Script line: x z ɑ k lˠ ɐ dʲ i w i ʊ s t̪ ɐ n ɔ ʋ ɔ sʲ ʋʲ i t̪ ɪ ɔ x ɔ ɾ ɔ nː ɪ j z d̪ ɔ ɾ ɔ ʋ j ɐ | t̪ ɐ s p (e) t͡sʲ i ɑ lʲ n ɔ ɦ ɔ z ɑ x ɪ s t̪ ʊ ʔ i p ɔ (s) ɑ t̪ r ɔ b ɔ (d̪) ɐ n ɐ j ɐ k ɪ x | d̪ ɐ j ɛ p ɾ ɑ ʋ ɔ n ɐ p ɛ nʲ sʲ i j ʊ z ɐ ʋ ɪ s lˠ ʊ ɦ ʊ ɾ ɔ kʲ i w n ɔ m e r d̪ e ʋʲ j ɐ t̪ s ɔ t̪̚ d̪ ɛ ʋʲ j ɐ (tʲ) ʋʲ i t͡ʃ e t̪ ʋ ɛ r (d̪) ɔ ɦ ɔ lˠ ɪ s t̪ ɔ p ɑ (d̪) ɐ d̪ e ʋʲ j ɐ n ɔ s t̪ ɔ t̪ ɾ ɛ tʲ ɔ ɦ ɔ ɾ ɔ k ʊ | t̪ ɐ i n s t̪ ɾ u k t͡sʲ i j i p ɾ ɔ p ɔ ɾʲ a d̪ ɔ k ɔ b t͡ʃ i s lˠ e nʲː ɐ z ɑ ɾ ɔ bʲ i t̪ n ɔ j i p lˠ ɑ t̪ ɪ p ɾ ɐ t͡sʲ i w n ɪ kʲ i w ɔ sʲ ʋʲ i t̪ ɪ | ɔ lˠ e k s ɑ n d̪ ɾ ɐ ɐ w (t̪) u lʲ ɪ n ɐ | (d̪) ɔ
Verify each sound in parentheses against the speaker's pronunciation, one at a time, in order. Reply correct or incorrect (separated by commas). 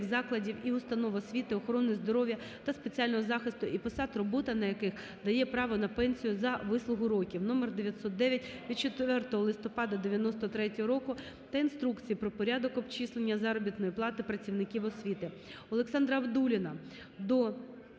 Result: correct, correct, incorrect, correct, incorrect, correct, incorrect, correct